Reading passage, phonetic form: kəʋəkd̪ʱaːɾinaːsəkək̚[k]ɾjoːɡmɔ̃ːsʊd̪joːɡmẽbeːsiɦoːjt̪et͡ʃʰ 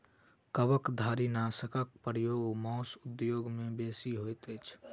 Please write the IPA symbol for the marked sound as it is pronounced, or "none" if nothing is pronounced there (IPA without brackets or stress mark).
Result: p